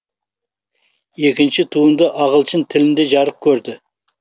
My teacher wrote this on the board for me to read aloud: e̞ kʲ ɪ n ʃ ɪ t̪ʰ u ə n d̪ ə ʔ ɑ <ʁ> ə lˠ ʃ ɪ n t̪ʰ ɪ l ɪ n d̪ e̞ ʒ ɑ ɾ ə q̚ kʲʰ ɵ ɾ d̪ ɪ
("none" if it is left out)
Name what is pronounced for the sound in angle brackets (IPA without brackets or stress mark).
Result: ʁ